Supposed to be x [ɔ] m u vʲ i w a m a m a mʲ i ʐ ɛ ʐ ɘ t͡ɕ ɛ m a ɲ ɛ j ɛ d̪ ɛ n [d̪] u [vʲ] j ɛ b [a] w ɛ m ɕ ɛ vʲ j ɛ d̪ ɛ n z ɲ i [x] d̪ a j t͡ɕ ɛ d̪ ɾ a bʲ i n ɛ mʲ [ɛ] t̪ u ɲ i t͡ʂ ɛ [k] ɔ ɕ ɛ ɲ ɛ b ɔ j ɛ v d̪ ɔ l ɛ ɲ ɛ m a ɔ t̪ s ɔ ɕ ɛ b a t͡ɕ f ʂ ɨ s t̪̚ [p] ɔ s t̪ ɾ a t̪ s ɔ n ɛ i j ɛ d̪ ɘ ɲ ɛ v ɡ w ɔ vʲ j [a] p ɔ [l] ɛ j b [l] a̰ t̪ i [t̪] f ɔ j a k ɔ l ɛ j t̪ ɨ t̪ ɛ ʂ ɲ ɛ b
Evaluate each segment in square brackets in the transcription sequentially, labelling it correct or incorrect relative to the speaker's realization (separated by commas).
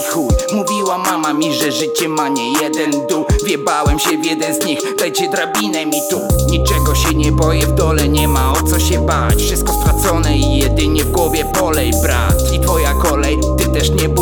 incorrect, correct, correct, correct, correct, incorrect, incorrect, incorrect, incorrect, correct, incorrect, correct